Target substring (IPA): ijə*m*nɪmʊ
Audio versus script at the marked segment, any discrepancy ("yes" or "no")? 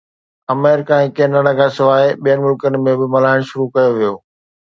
yes